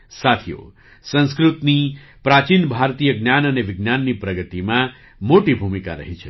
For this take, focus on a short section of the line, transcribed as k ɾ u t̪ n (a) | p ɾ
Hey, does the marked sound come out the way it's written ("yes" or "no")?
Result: no